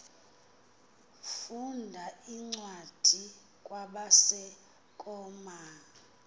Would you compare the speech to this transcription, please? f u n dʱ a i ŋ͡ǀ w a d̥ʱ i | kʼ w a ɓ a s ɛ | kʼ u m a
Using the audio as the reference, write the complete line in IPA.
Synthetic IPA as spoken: f u n dʱ a i ŋ͡ǀ w a d̥ʱ i | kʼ w a ɓ a s ɛ | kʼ ɔ m a